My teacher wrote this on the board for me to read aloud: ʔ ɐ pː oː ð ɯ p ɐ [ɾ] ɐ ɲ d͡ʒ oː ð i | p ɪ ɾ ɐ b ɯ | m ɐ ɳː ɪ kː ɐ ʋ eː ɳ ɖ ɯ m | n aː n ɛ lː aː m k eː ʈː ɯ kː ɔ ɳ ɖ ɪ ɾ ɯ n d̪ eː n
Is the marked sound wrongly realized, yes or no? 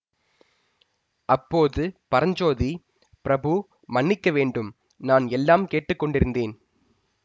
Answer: no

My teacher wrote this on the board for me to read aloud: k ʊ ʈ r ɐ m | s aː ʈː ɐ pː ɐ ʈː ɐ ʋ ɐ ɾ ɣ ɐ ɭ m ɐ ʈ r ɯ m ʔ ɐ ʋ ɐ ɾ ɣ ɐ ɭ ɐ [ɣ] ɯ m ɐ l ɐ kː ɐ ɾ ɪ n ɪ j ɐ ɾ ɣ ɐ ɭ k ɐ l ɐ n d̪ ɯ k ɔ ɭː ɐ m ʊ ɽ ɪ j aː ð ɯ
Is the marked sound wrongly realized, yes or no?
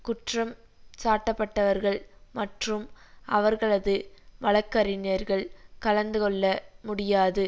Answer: yes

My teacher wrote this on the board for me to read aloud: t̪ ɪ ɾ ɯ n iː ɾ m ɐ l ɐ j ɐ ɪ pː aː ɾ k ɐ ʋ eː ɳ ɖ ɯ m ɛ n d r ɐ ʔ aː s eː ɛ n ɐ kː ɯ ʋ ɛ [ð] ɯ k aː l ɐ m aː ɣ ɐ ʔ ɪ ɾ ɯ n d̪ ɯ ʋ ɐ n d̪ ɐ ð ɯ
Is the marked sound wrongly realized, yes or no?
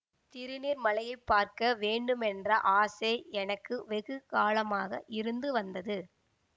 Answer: yes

